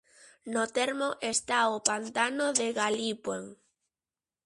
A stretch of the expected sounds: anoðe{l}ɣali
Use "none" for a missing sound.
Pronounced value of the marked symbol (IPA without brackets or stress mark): none